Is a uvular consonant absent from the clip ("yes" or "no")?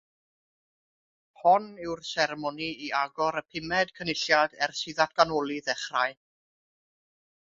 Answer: no